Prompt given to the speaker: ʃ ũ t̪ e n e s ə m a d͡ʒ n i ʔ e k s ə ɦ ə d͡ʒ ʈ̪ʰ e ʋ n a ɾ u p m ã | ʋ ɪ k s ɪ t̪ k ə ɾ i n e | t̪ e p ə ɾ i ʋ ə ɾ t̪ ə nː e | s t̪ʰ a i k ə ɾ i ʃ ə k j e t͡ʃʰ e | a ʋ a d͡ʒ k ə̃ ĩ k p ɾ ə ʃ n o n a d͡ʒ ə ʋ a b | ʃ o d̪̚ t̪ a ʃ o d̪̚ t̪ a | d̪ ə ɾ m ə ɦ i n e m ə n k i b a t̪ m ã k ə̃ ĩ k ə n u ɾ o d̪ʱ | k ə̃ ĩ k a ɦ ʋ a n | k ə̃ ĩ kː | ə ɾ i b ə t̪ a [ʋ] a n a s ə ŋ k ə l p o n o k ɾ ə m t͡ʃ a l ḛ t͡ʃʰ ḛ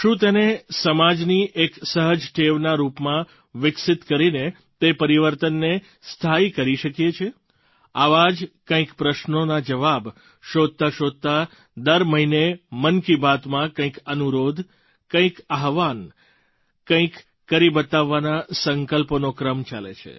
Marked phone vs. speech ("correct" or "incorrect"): incorrect